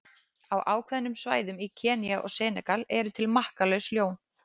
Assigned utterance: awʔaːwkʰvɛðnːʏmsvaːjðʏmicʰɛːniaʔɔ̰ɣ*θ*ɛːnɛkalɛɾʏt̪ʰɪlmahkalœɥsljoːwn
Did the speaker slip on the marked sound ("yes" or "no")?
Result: yes